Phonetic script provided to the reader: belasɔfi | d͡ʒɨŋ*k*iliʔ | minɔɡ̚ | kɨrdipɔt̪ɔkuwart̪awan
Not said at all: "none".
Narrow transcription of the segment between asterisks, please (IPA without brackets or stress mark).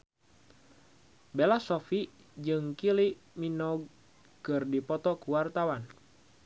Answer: k